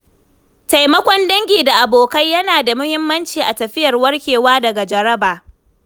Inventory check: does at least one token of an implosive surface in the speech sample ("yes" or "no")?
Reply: no